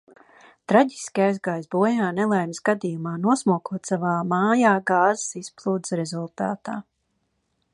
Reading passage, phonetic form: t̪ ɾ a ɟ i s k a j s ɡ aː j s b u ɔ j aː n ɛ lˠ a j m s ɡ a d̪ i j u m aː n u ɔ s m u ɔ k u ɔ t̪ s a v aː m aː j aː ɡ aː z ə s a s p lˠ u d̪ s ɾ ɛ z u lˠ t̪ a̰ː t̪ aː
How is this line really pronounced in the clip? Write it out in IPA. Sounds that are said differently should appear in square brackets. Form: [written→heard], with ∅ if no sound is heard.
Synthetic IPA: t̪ ɾ a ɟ i s k a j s ɡ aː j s b u ɔ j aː n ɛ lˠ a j m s ɡ a d̪ i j u m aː n u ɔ s m u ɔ k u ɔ t̪ s a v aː m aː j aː ɡ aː z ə s [a→i] s p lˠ [u→uː] d̪ s ɾ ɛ z u lˠ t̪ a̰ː t̪ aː

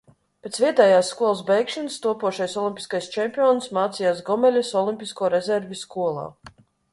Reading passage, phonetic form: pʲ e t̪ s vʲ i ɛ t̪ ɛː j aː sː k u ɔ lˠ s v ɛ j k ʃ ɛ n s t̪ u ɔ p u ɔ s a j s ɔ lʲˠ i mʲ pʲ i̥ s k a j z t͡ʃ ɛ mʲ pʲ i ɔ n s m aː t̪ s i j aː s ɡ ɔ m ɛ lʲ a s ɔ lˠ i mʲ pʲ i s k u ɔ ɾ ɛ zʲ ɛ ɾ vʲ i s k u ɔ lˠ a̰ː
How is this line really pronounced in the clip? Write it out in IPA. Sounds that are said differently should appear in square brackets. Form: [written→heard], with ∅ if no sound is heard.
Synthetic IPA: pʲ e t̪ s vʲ i ɛ t̪ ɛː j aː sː k u ɔ lˠ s [v→b] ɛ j k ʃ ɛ n s t̪ u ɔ p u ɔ [s→ʃ] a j s ɔ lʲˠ i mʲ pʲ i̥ s k a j [z→s] t͡ʃ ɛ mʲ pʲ i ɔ n s m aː t̪ s i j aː s ɡ ɔ m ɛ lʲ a s ɔ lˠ i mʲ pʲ i s k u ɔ ɾ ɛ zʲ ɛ ɾ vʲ i s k u ɔ lˠ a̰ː

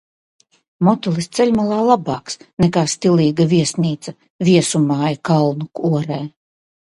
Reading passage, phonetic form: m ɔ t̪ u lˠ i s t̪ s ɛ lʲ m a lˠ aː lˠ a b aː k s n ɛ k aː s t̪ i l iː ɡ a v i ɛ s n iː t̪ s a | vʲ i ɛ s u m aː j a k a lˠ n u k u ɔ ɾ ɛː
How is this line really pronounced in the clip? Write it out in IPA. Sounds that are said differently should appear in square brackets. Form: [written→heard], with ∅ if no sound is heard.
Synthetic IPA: m ɔ t̪ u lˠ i s t̪ s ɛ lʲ m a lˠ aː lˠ a b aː k s n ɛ k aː s t̪ i l iː ɡ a v i ɛ s n iː t̪ s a | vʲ i ɛ s u m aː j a k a lˠ n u k u ɔ ɾ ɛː

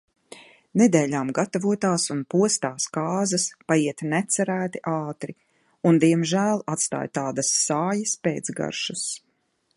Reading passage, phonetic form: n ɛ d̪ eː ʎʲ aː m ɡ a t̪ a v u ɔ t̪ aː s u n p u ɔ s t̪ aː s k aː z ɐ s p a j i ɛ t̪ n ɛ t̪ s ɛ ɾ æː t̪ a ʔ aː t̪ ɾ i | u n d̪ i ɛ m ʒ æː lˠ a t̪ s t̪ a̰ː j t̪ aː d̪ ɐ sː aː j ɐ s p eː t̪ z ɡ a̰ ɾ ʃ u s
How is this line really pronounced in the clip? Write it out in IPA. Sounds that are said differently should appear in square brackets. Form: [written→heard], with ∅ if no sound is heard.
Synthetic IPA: n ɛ d̪ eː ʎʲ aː m ɡ a t̪ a v u ɔ t̪ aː s u n p u ɔ s t̪ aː s k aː z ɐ s p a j i ɛ t̪ n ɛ t̪ s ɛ ɾ æː t̪ [a→i] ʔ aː t̪ ɾ i | u n d̪ i ɛ m ʒ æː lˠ a t̪ s t̪ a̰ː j t̪ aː d̪ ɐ sː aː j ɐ s p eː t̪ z ɡ a̰ ɾ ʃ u s

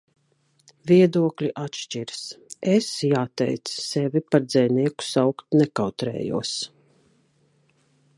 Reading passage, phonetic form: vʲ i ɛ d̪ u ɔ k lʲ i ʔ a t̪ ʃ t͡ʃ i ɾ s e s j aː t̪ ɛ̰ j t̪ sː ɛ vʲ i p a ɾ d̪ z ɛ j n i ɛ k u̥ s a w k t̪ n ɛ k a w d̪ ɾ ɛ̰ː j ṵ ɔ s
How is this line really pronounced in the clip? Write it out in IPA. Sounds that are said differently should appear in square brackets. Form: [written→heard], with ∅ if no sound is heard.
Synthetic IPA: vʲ i ɛ d̪ u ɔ k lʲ i ʔ a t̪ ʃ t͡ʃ i ɾ s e s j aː t̪ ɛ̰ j t̪ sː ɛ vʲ i p a ɾ d̪ z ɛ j n i ɛ k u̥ s a w k t̪ n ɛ k a w [d̪→t̪] ɾ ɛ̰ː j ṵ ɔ s

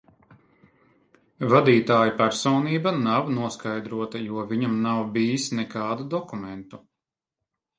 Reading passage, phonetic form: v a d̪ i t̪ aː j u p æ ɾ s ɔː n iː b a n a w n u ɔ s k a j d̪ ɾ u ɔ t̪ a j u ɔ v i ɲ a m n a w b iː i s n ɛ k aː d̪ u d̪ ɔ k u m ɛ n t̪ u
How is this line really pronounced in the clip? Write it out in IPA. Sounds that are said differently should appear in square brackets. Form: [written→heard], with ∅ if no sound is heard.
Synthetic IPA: v a d̪ [i→iː] t̪ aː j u p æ ɾ s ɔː n iː b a n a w n u ɔ s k a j d̪ ɾ u ɔ t̪ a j u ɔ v i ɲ a m n a w b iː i s n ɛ k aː d̪ u d̪ ɔ k u m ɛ n t̪ u

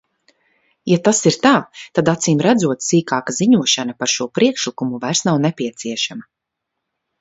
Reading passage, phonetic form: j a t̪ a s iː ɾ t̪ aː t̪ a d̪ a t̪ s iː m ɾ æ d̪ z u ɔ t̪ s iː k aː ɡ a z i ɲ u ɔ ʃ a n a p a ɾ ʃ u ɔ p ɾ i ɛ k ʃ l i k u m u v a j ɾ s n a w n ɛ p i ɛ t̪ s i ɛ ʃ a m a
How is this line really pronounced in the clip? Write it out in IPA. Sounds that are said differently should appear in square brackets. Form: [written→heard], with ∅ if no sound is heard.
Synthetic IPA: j a t̪ a s [iː→i] ɾ t̪ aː t̪ a d̪ a t̪ s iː m ɾ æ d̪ z u ɔ t̪ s iː k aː [ɡ→k] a z i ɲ u ɔ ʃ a n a p a ɾ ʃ u ɔ p ɾ i ɛ k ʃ l i k u m u v a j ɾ s n a w n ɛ p i ɛ t̪ s i ɛ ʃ a m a

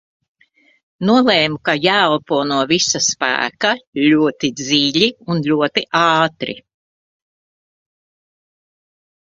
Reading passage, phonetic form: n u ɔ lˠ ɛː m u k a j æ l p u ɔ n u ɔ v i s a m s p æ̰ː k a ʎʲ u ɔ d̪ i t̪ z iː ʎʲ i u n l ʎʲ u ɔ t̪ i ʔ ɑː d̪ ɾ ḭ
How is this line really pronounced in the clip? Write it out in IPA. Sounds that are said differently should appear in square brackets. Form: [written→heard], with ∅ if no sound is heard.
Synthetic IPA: n u ɔ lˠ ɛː m u k a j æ l p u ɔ n u ɔ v i s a [m→∅] s p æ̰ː k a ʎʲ u ɔ [d̪→t̪] i [t̪→d̪] z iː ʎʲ i u n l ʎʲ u ɔ t̪ i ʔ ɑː [d̪→t̪] ɾ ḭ

